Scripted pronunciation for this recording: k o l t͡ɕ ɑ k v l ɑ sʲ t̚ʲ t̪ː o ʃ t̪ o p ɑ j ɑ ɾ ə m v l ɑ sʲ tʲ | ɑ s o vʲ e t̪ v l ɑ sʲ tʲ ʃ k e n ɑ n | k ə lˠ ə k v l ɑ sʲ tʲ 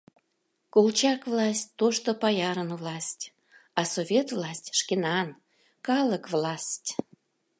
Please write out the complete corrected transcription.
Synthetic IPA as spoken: k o l t͡ɕ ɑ k v l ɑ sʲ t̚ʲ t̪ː o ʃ t̪ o p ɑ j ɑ ɾ ə n v l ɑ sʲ tʲ | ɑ s o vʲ e t̪ v l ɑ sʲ tʲ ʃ k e n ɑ n | k ɑ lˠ ə k v l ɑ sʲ tʲ